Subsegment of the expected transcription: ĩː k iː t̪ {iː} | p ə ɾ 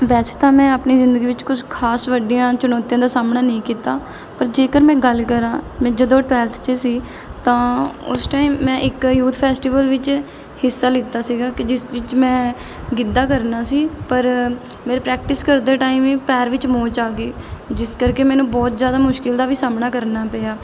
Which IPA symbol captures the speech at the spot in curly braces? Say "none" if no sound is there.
aː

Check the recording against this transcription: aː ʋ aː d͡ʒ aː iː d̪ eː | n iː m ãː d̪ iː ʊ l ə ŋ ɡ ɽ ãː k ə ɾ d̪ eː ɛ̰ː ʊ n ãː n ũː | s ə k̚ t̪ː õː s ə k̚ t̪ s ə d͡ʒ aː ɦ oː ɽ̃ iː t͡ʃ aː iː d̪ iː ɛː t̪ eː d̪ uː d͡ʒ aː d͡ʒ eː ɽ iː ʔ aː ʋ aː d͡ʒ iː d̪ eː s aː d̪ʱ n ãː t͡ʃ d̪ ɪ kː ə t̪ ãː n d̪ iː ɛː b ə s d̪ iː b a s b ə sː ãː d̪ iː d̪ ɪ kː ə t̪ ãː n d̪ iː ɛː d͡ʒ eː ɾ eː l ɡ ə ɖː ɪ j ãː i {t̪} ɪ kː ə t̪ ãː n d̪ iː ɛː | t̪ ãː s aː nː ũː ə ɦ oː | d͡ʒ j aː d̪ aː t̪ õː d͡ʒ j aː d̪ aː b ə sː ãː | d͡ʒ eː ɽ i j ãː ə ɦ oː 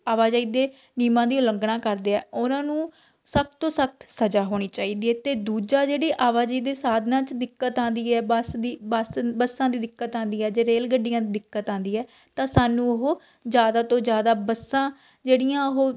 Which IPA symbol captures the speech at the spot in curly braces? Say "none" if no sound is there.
d̪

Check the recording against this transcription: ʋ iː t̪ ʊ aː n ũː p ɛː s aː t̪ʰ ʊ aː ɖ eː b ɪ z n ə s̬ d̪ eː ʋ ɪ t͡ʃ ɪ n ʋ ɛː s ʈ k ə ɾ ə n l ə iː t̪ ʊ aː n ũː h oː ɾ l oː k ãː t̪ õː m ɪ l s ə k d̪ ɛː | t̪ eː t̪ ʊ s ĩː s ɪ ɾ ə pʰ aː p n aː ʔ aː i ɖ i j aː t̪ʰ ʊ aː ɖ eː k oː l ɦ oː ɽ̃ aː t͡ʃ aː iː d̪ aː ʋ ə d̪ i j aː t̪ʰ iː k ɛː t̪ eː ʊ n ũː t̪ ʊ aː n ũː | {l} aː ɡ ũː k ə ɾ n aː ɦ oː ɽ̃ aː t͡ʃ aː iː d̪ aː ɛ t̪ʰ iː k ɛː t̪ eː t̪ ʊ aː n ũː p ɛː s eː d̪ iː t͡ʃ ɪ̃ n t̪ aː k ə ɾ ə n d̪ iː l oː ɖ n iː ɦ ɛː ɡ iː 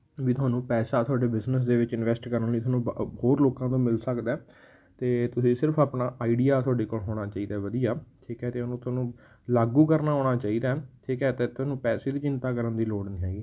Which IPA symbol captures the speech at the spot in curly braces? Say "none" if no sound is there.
l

